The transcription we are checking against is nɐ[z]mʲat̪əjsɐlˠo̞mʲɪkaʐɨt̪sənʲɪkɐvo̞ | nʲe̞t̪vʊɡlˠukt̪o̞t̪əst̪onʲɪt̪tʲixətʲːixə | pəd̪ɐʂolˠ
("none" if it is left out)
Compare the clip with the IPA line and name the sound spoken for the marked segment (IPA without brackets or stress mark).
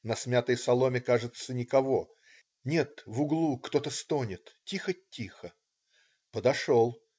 s